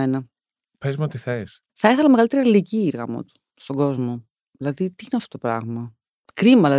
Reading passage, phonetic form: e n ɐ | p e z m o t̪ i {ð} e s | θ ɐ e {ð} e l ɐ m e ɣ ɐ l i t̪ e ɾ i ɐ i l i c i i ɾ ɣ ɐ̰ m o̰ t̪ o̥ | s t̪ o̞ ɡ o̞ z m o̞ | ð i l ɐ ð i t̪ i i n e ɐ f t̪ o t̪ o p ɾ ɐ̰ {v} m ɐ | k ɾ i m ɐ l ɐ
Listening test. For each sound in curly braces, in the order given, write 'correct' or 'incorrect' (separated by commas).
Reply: incorrect, incorrect, incorrect